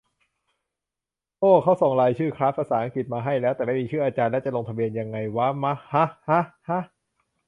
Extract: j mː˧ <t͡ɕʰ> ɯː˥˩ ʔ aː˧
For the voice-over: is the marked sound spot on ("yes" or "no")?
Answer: yes